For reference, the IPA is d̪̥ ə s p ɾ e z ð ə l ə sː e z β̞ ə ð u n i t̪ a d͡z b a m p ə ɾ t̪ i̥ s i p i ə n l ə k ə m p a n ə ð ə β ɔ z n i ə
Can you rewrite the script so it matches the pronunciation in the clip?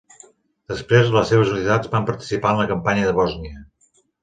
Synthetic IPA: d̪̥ ə s p ɾ e z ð ə l ə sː e β̞ ə z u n i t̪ a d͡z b a m p ə ɾ t̪ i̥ s i p a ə n l ə k ə m p a ɲ ə ð ə β ɔ z n i ə